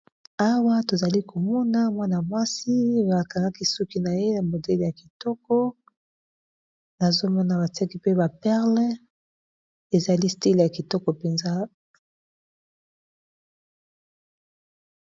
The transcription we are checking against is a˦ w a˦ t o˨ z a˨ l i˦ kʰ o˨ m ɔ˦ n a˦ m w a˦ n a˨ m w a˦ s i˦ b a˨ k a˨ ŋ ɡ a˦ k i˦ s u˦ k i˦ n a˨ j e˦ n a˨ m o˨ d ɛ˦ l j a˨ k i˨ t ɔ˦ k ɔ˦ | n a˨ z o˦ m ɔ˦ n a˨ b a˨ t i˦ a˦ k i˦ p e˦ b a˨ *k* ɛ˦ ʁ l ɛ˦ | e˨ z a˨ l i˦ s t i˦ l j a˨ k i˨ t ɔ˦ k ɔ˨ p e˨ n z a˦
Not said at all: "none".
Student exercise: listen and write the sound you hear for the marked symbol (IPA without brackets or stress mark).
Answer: p